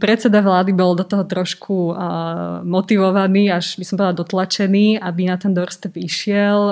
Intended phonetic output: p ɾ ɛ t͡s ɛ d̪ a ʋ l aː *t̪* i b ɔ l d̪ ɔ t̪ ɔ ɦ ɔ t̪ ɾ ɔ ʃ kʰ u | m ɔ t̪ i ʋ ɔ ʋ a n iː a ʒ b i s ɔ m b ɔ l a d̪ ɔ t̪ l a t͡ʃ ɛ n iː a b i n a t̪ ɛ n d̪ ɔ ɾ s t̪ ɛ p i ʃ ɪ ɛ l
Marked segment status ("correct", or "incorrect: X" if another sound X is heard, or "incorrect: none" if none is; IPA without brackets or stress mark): incorrect: d̪